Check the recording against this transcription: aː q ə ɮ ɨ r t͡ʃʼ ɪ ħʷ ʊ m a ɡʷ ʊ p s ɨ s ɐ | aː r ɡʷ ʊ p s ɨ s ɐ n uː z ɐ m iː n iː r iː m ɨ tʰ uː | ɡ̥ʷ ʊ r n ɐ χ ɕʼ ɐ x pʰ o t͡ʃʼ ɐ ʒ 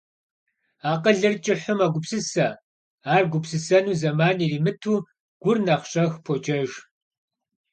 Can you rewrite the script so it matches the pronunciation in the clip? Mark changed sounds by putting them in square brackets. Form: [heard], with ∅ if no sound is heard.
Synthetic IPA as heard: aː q ə ɮ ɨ r t͡ʃʼ ɪ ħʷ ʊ m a ɡʷ ʊ p s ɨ s ɐ | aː r ɡʷ ʊ p s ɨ s ɐ n uː z ɐ m [aː] n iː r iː m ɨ tʰ uː | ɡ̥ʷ ʊ r n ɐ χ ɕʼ ɐ x pʰ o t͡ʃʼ ɐ ʒ